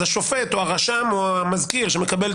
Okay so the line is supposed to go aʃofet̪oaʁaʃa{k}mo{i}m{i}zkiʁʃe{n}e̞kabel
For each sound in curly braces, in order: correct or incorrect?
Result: incorrect: none, incorrect: a, incorrect: a, incorrect: m

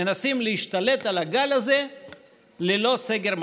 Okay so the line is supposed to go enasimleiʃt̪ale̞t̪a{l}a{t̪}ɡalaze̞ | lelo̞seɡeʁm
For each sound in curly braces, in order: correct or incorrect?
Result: correct, incorrect: none

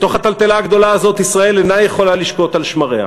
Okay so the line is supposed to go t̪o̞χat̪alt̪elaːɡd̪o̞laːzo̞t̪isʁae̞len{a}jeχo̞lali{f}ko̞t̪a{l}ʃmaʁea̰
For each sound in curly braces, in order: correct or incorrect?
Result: correct, incorrect: ʃ, correct

